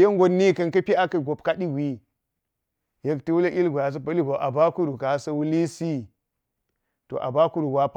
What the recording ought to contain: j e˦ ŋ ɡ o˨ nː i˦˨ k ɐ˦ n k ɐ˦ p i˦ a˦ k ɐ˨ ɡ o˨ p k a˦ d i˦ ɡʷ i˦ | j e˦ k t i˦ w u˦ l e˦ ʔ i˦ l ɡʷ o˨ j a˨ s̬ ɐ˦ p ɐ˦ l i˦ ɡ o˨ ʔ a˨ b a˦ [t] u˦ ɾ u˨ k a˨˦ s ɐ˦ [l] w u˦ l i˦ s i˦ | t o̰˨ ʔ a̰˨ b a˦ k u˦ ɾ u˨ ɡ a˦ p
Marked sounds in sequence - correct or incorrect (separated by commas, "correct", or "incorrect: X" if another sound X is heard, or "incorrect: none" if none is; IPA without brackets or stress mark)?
incorrect: k, incorrect: none